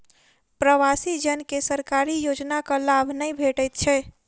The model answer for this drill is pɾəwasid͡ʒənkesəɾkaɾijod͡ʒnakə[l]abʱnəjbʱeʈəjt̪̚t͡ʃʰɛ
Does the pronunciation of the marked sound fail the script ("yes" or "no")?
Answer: no